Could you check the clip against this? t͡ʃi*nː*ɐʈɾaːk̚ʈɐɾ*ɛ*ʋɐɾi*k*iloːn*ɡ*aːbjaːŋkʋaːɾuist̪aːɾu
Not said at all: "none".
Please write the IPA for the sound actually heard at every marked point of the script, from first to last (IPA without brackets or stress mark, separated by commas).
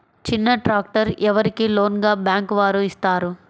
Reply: nː, ɛ, k, ɡ